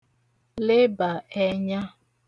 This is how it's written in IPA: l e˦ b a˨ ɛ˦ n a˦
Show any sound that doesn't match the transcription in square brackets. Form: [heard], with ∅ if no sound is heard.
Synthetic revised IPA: l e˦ b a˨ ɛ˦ [ɲ] a˦